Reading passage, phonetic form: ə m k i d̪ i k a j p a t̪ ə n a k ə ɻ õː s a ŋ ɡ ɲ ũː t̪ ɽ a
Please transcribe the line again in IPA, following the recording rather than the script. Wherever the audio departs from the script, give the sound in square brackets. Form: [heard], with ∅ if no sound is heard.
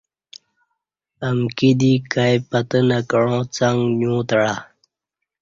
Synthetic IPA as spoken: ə m k i d̪ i k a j p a t̪ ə n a k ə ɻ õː [t͡s] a ŋ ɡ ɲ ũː t̪ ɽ a